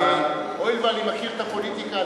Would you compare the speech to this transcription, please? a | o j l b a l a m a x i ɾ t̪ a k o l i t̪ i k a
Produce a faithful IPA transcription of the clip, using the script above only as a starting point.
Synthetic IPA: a | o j l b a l i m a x i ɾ t̪ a p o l i t̪ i k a